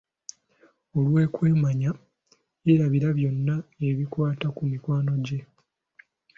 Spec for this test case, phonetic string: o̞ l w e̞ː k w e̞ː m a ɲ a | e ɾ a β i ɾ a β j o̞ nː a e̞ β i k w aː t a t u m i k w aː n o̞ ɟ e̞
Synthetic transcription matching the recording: o̞ l w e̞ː k w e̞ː m a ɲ a | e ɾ a β i ɾ a β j o̞ nː a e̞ β i k w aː t a k u m i k w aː n o̞ ɟ e̞

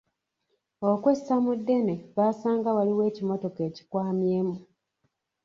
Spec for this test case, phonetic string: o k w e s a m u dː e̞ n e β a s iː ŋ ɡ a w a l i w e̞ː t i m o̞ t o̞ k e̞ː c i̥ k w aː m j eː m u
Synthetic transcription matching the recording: o k w e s a m u dː e̞ n e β a s aː ŋ ɡ a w a l i w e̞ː c i m o̞ t o̞ k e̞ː c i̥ k w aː m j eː m u

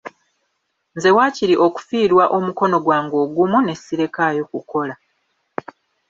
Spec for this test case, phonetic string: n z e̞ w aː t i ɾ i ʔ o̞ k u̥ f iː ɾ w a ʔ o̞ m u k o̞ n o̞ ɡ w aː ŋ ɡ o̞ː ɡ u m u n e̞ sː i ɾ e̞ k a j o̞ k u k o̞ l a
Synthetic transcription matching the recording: n z e̞ w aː c i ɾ i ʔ o̞ k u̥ f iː ɾ w a ʔ o̞ m u k o̞ n o̞ ɡ w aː ŋ ɡ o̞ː ɡ u m u n e̞ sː i ɾ e̞ k a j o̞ k u k o̞ l a

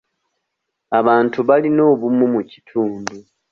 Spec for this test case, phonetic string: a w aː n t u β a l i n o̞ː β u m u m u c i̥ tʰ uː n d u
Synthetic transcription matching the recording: a β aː n t u β a l i n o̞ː β u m u m u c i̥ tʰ uː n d u

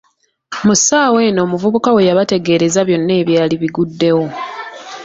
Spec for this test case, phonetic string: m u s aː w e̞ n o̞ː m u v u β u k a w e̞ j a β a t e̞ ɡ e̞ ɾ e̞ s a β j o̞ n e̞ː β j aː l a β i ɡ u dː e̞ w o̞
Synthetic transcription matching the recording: m u s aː w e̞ n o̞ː m u v u β u k a w e̞ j a β a t e̞ ɡ e̞ ɾ e̞ z a β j o̞ nː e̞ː β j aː l i β i ɡ u dː e̞ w o̞

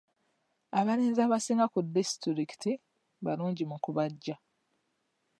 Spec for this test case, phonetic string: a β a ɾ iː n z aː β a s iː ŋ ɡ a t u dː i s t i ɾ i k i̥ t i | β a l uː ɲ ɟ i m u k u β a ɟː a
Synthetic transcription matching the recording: a β a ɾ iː n z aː β a s iː ŋ ɡ a k u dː i s t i ɾ i k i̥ t i | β a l uː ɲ ɟ i m u k u β a ɟː a

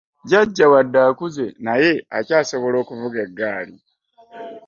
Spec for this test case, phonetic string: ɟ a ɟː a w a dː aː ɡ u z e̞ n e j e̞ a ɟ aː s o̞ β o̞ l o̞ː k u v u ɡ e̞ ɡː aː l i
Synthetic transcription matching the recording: ɟ a ɟː a w a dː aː k u z e̞ n a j e̞ a c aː s o̞ β o̞ l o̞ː k u v u ɡ e̞ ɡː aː l i

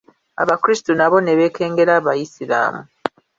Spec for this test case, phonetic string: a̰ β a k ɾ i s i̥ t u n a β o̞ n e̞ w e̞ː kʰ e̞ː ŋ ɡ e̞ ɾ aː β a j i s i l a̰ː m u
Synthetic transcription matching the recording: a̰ β a k ɾ i s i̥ t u n a β o̞ n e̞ β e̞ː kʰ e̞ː ŋ ɡ e̞ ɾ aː β a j i s i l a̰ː m u

